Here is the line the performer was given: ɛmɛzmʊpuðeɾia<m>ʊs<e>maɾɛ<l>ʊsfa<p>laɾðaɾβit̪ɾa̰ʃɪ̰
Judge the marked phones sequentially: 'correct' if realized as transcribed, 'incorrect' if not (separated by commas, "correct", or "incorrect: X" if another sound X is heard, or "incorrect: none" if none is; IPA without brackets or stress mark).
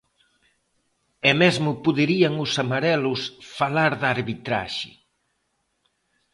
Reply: incorrect: ŋ, incorrect: a, correct, incorrect: none